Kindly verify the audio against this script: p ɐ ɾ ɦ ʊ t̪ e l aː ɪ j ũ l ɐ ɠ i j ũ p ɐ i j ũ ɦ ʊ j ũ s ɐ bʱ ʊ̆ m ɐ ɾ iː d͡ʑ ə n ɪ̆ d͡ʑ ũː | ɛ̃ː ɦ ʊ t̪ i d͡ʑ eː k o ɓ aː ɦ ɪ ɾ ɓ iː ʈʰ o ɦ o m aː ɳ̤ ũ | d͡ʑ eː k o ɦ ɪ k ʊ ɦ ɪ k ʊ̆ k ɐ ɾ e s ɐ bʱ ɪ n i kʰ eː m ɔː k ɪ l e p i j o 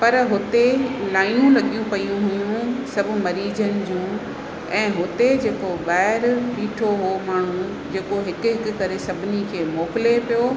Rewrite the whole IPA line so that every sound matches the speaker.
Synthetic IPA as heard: p ɐ ɾ ɦ ʊ t̪ e l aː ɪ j ũ l ɐ ɠ i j ũ p ɐ i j ũ ɦ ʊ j ũ s ɐ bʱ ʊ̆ m ɐ ɾ iː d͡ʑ ə n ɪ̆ d͡ʑ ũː | ɛ̃ː ɦ ʊ t̪ e d͡ʑ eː k o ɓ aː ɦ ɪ ɾ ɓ iː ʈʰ o ɦ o m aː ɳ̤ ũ | d͡ʑ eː k o ɦ ɪ k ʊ ɦ ɪ k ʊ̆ k ɐ ɾ e s ɐ bʱ ɪ n i kʰ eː m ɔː k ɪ l e p i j o